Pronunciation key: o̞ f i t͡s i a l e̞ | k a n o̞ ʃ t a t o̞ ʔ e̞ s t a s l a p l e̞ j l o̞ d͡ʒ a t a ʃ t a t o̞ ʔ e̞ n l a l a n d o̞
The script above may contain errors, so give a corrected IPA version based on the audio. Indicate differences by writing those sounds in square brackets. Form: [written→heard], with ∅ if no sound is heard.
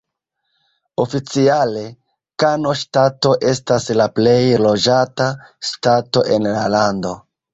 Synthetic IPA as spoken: o̞ f i t͡s i a l e̞ | k a n o̞ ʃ t a t o̞ ʔ e̞ s t a s l a p l e̞ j l o̞ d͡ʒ a t a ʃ t a t o̞ ʔ e̞ n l a l a n d o̞